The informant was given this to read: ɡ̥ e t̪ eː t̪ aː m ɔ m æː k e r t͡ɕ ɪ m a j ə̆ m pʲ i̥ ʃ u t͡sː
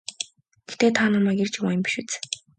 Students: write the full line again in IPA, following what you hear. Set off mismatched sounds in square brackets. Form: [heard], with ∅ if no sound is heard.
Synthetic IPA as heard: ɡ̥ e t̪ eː [t̪ʰ] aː [n] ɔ m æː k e r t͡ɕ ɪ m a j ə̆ m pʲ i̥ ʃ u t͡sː